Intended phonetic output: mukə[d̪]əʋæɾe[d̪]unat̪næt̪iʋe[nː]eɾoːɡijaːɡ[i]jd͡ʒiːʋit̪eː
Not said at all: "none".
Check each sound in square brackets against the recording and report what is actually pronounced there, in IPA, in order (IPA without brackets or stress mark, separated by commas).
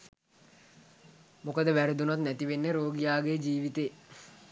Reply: d̪, d̪, nː, e